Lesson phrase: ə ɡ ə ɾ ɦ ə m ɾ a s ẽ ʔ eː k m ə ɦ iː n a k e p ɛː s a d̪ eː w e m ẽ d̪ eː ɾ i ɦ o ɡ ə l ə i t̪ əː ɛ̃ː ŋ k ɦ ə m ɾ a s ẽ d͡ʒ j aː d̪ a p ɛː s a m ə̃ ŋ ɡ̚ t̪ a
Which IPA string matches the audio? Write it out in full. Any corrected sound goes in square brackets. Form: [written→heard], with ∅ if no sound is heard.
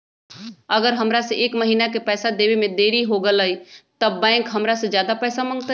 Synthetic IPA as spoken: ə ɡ ə ɾ ɦ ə m ɾ a s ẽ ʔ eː k m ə ɦ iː n a k e p ɛː s a d̪ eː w e m ẽ d̪ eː ɾ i ɦ o ɡ ə l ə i t̪ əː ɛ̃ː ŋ k ɦ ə m ɾ a s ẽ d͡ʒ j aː d̪ a p ɛː s a m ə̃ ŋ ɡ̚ t̪ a